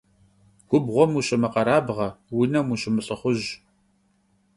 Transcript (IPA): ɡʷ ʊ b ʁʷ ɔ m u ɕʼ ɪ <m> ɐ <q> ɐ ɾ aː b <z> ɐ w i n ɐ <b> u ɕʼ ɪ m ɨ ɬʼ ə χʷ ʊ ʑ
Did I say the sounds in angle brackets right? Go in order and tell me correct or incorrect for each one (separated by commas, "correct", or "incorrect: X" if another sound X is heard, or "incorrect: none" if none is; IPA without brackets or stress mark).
correct, correct, incorrect: ʁ, incorrect: m